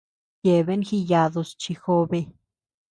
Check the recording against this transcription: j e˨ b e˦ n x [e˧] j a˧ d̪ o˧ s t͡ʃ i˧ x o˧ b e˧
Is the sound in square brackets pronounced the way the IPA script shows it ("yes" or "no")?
no